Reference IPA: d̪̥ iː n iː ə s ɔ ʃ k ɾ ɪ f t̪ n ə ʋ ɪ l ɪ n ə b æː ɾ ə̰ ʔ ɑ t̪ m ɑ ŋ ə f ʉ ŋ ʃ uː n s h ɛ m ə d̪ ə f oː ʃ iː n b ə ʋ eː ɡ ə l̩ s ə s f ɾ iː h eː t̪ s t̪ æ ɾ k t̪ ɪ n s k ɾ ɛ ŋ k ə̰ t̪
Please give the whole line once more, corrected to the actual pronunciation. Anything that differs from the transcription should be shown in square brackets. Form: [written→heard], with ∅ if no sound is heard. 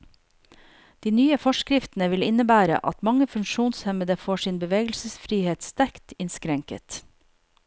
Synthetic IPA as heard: d̪̥ iː n [iː→yː] ə [s→f] ɔ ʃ k ɾ ɪ f t̪ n ə ʋ ɪ l ɪ n ə b æː ɾ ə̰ ʔ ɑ t̪ m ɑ ŋ ə f ʉ ŋ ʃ uː n s h ɛ m ə d̪ ə f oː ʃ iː n b ə ʋ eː ɡ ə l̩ s ə s f ɾ iː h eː t̪ s t̪ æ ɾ k t̪ ɪ n s k ɾ ɛ ŋ k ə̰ t̪